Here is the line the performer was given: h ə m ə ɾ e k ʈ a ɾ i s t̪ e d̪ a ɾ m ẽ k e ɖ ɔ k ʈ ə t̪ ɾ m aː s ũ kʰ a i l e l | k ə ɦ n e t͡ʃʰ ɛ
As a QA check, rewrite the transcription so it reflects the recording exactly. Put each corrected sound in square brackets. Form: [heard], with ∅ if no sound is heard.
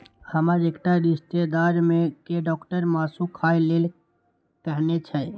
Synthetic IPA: h ə m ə ɾ e k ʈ a ɾ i s t̪ e d̪ a ɾ m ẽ k e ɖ ɔ k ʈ ə [∅] ɾ m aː s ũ kʰ a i l e l | k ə ɦ n e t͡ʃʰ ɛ